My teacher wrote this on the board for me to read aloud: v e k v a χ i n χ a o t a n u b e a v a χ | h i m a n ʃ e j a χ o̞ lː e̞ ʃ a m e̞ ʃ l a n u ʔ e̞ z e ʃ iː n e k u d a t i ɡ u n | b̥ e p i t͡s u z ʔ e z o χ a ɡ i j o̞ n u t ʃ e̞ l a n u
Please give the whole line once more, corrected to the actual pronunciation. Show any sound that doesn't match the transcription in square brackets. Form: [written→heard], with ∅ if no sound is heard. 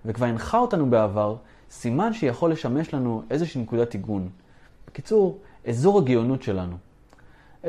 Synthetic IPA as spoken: v e k v a [χ→ʁ] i n χ a o t a n u b e a v a [χ→ʁ] | [h→s] i m a n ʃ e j a χ o̞ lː e̞ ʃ a m e̞ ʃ l a n u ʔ e̞ z e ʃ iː n e k u d a t i ɡ u n | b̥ e [p→k] i t͡s u [z→ʁ] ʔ e z o [χ→ʁ] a ɡ i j o̞ n u t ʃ e̞ l a n u